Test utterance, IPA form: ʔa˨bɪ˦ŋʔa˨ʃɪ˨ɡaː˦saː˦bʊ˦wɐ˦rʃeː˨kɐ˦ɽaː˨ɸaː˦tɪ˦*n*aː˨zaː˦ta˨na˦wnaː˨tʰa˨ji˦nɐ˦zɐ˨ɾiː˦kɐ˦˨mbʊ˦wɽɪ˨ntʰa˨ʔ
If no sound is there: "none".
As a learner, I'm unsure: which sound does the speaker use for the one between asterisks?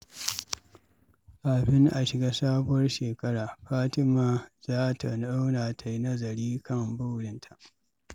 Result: m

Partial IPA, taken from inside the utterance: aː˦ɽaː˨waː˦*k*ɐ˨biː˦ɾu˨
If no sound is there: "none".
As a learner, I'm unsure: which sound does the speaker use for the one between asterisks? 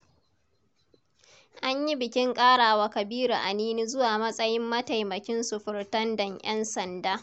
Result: k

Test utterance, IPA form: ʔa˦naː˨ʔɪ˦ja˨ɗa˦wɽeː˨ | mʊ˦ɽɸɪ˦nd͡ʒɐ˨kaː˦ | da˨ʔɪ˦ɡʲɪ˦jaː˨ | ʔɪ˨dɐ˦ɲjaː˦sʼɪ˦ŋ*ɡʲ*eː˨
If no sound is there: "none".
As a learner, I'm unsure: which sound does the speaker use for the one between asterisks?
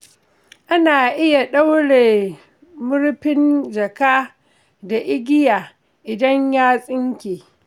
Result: kʲ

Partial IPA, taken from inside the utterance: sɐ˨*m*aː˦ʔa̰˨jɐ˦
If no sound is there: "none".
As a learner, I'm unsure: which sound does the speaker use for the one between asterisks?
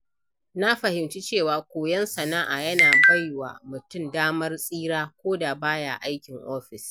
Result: n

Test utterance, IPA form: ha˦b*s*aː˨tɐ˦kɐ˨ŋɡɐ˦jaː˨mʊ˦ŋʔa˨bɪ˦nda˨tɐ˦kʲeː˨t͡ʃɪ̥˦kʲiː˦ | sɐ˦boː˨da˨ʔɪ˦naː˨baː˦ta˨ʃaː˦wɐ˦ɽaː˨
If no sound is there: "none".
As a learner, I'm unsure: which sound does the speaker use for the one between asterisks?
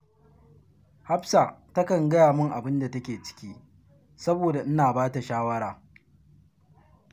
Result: s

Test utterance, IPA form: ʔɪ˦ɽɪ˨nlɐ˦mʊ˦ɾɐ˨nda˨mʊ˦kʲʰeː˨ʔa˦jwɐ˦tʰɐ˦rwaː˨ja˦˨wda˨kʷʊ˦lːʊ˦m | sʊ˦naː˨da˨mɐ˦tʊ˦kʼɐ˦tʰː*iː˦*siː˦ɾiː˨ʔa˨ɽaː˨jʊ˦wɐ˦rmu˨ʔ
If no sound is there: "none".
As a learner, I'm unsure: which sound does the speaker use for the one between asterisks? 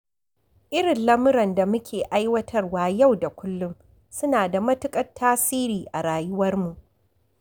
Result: aː˦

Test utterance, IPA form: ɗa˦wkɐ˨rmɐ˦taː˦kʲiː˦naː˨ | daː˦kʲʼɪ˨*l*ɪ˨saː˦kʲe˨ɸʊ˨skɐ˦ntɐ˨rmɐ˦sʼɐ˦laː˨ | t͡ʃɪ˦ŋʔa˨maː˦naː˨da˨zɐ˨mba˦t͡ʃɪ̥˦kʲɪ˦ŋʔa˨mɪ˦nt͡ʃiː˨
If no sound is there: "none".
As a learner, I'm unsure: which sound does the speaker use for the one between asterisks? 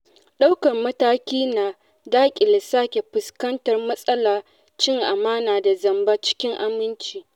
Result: l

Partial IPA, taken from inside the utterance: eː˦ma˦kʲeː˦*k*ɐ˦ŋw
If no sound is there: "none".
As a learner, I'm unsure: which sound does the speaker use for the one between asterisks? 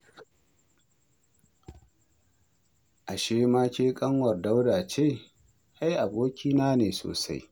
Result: kʼ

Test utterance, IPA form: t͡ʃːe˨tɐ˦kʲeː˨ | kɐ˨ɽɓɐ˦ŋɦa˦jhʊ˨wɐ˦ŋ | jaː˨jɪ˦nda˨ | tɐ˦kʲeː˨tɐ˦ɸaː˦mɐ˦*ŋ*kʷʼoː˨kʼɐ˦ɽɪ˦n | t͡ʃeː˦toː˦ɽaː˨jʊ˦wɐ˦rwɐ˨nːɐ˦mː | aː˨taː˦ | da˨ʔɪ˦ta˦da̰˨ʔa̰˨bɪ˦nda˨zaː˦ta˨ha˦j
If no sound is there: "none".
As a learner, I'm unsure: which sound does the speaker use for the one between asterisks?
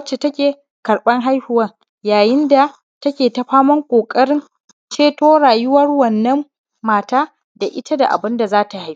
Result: ŋ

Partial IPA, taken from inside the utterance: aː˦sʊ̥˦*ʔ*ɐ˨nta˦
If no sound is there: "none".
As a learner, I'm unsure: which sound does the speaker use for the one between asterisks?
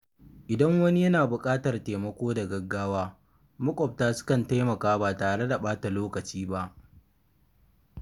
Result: k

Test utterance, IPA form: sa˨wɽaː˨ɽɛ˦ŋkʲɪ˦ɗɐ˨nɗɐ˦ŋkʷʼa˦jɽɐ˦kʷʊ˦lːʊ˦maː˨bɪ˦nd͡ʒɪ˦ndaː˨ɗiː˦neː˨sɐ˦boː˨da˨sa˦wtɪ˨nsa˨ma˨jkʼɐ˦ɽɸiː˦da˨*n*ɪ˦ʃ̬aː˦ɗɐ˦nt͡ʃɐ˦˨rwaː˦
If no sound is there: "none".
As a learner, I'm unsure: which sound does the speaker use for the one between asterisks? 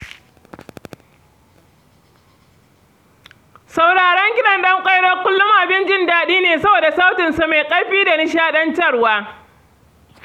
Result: n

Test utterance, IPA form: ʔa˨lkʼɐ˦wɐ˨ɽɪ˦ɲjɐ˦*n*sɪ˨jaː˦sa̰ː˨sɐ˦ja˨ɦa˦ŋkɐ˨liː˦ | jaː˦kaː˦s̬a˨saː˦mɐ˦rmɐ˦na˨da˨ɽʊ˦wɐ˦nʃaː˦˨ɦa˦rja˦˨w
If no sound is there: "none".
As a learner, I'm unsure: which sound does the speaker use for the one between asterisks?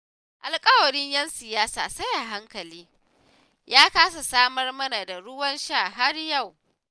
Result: n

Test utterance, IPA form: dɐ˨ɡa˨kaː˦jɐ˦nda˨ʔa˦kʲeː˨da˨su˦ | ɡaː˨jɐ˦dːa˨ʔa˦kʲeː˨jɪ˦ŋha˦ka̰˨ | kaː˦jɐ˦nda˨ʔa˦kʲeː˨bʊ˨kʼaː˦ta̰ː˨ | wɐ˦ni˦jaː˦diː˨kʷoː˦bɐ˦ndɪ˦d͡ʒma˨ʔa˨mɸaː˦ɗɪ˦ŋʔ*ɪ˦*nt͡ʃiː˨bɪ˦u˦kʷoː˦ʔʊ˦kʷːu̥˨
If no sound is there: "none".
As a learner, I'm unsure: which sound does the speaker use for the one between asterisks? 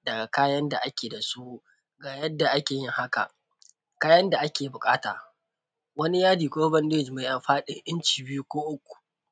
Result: ɪ˦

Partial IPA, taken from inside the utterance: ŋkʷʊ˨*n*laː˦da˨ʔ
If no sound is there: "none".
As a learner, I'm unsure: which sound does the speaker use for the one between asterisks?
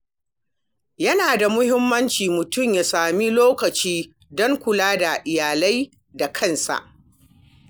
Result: none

